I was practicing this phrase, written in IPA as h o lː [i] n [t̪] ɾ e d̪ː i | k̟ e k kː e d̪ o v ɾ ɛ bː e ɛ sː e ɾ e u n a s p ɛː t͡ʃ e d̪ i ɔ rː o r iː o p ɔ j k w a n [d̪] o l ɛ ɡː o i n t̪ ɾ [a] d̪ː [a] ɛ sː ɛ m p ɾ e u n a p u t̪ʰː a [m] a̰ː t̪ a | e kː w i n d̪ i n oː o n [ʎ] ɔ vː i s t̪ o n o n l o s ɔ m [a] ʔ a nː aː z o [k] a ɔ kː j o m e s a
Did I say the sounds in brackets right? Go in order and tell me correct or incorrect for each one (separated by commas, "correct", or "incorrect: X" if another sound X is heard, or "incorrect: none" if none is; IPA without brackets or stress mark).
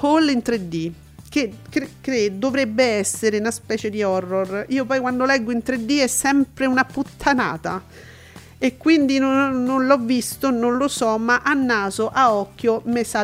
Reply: correct, correct, correct, incorrect: e, incorrect: i, incorrect: n, incorrect: l, correct, incorrect: ʔ